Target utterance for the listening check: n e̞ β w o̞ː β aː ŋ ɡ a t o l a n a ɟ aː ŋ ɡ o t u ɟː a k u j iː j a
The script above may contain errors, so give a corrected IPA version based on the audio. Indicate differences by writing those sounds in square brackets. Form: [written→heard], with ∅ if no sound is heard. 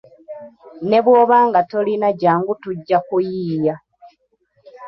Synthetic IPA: n e̞ β w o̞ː β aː ŋ ɡ a t o l [a→i] n a ɟ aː ŋ ɡ [o→u] t u ɟː a k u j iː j a